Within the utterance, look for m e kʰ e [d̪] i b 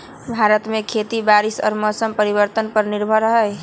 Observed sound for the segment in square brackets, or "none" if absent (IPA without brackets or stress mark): t̪